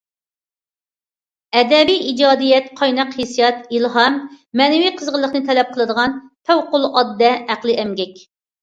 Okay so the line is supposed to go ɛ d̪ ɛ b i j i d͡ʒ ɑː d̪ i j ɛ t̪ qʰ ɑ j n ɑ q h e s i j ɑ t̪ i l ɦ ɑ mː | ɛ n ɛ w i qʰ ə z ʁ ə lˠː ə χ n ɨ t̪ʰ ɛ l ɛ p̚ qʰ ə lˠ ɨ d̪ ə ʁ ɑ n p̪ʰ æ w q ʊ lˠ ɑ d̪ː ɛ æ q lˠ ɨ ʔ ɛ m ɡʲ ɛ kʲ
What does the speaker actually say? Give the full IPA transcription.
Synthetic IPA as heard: ɛ d̪ ɛ b i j i d͡ʒ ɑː d̪ i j ɛ t̪ qʰ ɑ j n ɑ q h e s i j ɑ t̪ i l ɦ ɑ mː | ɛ n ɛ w i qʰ ə z ʁ ə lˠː ə χ n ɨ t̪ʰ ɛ l ɛ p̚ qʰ ə lˠ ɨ d̪ ə ʁ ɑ n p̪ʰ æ w q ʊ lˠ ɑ d̪ː ɛ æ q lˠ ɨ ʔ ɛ m ɡʲ ɛ kʲ